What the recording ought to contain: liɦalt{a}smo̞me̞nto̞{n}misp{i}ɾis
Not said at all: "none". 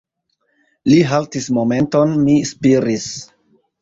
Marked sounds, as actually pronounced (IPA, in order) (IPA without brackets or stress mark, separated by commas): i, n, i